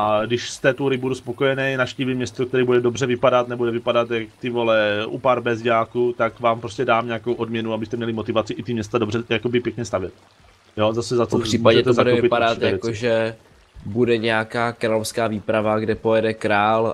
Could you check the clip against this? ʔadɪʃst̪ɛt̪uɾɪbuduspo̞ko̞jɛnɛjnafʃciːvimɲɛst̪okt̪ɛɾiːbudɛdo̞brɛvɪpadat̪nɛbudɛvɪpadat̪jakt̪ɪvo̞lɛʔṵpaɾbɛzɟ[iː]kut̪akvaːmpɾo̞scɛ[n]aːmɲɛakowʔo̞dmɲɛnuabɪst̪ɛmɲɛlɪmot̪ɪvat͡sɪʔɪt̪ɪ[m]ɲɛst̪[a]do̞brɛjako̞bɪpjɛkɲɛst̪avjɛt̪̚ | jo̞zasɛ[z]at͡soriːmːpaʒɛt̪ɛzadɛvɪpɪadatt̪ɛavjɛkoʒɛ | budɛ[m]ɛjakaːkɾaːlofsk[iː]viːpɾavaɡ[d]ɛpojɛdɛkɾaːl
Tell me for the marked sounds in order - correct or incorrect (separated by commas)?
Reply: incorrect, incorrect, correct, correct, correct, incorrect, incorrect, correct